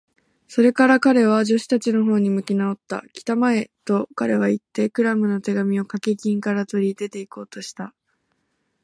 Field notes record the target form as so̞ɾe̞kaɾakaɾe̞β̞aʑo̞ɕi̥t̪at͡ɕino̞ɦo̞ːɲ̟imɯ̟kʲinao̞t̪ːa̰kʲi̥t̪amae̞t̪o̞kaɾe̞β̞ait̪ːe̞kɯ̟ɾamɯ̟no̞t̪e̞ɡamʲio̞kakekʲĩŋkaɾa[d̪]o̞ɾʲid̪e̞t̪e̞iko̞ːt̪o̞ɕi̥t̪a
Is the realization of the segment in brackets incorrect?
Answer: yes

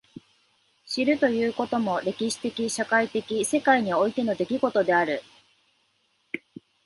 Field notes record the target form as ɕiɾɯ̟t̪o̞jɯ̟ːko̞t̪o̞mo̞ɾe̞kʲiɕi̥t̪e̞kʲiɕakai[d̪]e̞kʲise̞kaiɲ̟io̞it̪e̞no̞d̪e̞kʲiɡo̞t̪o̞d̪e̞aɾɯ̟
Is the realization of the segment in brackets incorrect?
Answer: yes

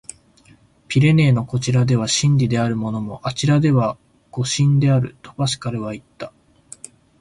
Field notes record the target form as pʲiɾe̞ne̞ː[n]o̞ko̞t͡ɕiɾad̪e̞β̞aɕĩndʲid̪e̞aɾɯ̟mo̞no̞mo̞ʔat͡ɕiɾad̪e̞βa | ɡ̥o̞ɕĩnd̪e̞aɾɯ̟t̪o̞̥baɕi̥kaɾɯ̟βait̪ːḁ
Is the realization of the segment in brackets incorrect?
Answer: no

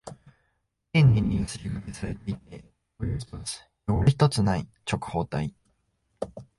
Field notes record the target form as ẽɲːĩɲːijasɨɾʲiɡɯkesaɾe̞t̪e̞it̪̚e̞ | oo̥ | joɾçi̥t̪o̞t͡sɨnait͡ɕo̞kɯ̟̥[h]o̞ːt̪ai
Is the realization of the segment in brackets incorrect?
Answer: no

